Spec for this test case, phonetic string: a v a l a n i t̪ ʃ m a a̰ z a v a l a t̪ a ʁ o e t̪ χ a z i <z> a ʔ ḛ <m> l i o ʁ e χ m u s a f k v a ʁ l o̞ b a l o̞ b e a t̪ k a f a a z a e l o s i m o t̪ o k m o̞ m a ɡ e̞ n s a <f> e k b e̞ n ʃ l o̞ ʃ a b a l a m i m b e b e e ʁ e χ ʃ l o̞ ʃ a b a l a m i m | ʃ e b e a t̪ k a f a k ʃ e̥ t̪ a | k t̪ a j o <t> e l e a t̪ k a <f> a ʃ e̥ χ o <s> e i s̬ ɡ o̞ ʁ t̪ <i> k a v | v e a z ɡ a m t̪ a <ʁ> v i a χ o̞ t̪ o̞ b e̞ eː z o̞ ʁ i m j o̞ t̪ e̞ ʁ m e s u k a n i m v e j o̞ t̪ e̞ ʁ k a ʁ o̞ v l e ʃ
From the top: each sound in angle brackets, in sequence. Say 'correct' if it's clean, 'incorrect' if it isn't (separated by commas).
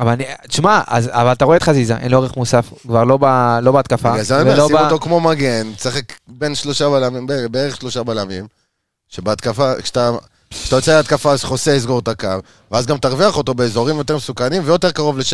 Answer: correct, incorrect, incorrect, incorrect, correct, correct, incorrect, correct